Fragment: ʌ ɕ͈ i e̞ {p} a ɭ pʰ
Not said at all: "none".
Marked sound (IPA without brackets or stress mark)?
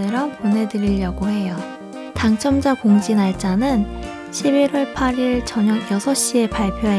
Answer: p